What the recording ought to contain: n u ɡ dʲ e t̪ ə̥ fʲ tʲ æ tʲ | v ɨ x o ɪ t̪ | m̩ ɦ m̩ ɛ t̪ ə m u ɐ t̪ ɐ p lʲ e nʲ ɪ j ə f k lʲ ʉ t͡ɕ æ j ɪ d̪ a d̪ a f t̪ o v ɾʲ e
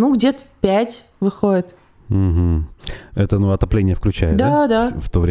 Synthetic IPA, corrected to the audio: n u ɡ dʲ e t̪ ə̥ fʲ pʲ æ tʲ | v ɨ x o ɪ t̪ | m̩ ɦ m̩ ɛ t̪ ə n u ɐ t̪ ɐ p lʲ e nʲ ɪ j ə f k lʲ ʉ t͡ɕ æ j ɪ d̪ a d̪ a f t̪ o v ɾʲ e